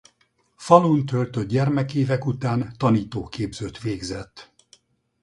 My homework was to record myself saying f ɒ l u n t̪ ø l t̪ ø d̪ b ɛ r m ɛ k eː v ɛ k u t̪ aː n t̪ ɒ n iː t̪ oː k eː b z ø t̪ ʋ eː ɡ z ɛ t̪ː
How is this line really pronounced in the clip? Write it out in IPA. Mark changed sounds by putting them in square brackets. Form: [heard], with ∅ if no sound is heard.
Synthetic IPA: f ɒ l u n t̪ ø l t̪ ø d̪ [ɟ] ɛ r m ɛ k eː v ɛ k u t̪ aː n t̪ ɒ n iː t̪ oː k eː b z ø t̪ ʋ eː ɡ z ɛ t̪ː